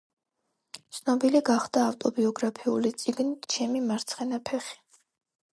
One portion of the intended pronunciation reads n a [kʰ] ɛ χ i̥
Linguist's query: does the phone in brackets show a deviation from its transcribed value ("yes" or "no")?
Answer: yes